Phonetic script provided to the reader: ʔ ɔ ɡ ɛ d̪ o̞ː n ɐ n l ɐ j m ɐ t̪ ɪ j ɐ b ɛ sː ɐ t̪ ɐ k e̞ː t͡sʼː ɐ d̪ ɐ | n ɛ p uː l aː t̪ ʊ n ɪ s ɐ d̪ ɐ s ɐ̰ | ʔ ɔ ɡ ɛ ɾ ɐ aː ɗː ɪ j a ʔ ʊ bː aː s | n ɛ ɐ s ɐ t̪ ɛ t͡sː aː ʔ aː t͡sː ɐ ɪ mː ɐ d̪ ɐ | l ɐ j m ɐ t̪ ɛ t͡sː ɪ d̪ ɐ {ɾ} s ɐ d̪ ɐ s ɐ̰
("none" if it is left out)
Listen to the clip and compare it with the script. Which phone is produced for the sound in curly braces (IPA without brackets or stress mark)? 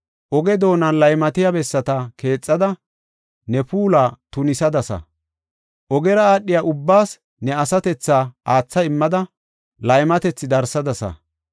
ɾ